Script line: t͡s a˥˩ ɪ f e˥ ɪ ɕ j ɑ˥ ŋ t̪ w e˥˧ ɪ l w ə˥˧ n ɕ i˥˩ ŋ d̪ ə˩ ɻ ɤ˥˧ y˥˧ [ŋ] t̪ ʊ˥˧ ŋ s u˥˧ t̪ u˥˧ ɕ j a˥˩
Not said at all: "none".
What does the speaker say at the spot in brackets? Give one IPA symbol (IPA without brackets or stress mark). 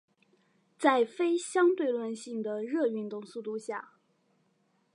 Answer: n